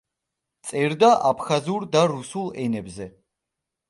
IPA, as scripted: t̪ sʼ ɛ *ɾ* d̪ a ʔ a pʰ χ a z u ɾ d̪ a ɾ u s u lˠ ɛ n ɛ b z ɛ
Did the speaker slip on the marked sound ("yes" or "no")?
no